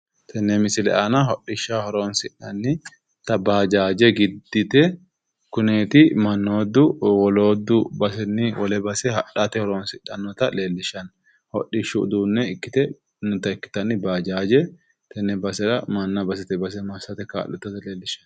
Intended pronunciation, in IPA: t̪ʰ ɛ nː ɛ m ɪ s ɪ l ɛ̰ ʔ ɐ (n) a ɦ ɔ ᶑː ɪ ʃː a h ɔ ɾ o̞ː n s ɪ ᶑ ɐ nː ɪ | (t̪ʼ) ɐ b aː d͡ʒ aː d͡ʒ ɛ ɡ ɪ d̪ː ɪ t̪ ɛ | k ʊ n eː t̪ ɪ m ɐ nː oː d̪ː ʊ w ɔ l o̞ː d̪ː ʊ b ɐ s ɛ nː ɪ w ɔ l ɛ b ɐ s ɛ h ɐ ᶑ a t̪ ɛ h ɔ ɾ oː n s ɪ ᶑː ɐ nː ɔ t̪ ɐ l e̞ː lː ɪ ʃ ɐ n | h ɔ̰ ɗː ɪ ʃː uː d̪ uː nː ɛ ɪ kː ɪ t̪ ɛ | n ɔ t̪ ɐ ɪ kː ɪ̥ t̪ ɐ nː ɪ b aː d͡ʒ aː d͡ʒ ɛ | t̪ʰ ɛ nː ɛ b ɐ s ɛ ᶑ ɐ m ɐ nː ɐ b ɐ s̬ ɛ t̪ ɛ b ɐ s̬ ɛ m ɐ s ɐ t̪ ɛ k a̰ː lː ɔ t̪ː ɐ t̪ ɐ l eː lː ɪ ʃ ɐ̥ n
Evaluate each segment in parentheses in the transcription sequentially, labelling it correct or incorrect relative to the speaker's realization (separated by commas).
correct, incorrect